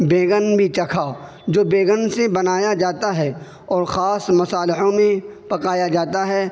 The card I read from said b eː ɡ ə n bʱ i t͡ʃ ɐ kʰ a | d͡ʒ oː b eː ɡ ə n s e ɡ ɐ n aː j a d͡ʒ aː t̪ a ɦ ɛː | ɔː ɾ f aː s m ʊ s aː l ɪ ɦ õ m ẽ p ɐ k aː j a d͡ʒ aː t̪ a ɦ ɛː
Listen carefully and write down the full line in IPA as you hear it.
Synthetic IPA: b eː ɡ ə n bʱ i t͡ʃ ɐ kʰ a | d͡ʒ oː b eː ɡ ə n s e b ɐ n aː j a d͡ʒ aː t̪ a ɦ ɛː | ɔː ɾ x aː s m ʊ s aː l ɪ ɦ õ m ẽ p ɐ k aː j a d͡ʒ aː t̪ a ɦ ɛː